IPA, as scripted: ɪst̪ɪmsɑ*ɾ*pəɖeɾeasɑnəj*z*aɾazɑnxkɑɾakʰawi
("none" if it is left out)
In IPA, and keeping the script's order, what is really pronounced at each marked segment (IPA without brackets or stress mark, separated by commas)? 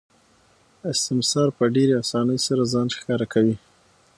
ɾ, s